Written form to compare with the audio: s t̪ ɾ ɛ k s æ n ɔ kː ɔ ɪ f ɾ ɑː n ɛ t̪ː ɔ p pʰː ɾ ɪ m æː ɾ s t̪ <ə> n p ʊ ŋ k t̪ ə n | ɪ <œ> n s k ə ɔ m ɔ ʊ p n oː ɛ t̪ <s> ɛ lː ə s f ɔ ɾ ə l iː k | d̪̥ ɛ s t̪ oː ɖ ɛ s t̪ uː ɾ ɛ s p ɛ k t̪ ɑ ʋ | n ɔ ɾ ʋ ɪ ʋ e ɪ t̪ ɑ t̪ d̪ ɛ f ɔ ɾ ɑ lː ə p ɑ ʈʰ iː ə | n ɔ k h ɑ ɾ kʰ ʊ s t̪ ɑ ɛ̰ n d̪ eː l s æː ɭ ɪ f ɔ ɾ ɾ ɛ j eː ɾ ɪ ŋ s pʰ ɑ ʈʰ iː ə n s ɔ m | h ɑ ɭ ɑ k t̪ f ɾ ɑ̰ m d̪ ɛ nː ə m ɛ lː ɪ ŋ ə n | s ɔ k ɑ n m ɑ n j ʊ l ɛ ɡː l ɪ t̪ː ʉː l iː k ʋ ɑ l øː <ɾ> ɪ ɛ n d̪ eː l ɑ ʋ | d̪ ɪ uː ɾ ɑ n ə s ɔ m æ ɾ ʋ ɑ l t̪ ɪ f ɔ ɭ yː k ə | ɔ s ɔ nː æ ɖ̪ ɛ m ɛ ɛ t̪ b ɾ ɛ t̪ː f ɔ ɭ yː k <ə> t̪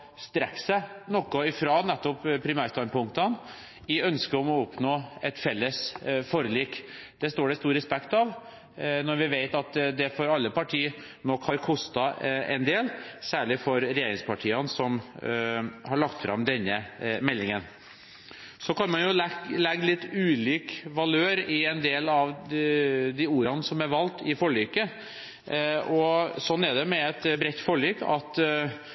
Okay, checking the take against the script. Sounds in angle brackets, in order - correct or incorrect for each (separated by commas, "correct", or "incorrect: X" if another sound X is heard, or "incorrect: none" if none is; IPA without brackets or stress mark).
incorrect: ɑ, correct, incorrect: f, correct, incorrect: ɑ